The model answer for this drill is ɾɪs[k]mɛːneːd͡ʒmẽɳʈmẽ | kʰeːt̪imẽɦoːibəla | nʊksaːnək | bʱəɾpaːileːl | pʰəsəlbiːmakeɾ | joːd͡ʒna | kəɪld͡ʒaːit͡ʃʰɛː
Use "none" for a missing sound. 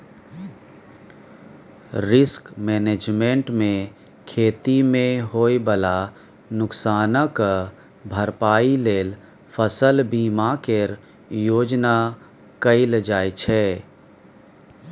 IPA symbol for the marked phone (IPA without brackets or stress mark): k